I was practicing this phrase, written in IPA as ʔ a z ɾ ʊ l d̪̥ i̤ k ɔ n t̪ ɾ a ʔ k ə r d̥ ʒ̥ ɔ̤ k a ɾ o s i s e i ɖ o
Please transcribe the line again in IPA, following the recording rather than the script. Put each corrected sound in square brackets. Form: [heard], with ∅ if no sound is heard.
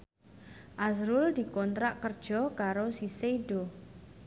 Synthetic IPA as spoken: ʔ a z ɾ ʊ l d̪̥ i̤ k ɔ n t̪ ɾ a ʔ k ə r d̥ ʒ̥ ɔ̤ k a ɾ o s i s e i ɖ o